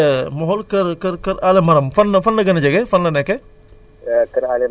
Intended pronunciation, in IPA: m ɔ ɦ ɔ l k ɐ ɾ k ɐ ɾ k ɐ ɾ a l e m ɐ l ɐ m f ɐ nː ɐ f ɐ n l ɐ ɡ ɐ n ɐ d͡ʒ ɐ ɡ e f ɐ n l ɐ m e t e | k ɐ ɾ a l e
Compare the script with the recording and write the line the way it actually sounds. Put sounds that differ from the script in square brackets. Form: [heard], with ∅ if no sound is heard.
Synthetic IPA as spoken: m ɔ ɦ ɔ l k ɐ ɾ k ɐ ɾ k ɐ ɾ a l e m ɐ [ɾ] ɐ m f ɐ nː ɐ f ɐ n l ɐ ɡ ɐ n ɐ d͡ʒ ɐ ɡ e f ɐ n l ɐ [n] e [k] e | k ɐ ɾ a l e

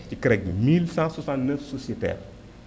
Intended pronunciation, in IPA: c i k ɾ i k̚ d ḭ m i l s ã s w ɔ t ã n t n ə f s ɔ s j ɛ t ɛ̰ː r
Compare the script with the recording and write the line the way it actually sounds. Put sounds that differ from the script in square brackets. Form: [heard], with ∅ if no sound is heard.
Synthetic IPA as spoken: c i k ɾ [ɛ] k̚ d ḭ m i l s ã s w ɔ [s] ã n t n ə f s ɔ s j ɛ t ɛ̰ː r

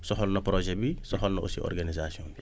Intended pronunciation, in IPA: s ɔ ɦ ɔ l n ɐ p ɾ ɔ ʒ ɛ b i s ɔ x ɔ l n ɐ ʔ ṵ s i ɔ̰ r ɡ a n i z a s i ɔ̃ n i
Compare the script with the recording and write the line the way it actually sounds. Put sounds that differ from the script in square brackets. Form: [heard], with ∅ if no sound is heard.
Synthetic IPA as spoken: s ɔ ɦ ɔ l n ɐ p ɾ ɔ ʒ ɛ b i s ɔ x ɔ l n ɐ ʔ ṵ s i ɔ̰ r ɡ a n i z a s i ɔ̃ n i

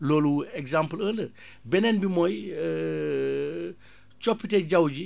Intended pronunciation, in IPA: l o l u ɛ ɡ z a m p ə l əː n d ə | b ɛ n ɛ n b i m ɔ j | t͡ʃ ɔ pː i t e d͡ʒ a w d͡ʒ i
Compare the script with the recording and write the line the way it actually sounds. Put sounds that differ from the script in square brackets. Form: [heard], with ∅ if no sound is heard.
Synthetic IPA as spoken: l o l u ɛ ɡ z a m p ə l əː n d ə | b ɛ n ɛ n b i m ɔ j | t͡ʃ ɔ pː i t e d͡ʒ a w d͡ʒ i

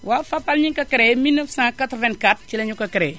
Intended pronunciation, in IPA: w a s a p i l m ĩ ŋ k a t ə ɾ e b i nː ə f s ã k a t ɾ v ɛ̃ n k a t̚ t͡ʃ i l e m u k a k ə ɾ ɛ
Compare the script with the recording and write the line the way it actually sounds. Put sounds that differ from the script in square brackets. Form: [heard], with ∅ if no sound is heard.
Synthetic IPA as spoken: w a [f] a p [a] l [ɲ] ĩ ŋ k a [k] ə ɾ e [m] i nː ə f s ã k a t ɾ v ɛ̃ n k a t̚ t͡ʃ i l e [ɲ] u k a k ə ɾ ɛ

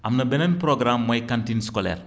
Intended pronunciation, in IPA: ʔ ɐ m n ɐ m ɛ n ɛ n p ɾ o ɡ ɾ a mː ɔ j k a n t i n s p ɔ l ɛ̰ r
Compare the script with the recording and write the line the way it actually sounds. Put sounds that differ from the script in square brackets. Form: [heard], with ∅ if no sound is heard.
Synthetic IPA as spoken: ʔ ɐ m n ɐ [b] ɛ n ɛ n p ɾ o ɡ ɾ a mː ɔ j k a n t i n s [k] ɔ l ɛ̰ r

